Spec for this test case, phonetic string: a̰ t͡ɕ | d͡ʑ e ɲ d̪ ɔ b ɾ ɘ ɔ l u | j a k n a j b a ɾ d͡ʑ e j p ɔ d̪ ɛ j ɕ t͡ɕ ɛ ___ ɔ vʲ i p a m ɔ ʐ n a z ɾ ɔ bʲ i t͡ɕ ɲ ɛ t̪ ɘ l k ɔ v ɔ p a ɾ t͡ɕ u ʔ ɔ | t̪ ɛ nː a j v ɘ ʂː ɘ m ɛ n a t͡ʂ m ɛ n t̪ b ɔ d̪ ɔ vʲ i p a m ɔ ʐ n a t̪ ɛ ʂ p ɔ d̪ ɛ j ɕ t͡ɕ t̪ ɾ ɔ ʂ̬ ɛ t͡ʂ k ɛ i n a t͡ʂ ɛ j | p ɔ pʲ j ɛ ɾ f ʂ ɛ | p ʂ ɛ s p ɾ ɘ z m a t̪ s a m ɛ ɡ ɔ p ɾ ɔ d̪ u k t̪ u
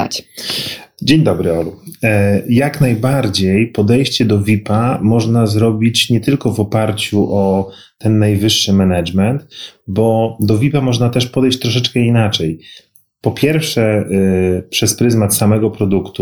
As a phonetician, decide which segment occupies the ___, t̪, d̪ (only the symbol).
d̪